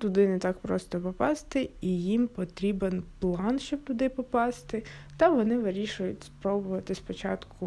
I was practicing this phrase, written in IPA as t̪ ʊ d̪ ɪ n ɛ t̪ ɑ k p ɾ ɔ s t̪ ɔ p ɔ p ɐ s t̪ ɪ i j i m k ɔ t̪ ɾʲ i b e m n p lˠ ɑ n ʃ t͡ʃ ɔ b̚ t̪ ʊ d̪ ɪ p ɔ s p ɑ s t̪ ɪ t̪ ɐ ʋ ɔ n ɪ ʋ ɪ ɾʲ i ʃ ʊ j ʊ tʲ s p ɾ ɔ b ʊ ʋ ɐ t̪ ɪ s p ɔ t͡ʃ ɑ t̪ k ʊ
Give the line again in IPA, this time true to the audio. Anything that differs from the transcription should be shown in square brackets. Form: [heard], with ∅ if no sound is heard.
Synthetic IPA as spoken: t̪ ʊ d̪ ɪ n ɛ t̪ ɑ k p ɾ ɔ s t̪ ɔ p ɔ p [ɑ] s t̪ ɪ i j i m [p] ɔ t̪ ɾʲ i b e [∅] n p lˠ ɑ n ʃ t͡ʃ ɔ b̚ t̪ ʊ d̪ ɪ p ɔ [∅] p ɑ s t̪ ɪ t̪ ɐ ʋ ɔ n ɪ ʋ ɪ ɾʲ i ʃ ʊ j ʊ tʲ s p ɾ ɔ b ʊ ʋ ɐ t̪ ɪ s p ɔ t͡ʃ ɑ t̪ k ʊ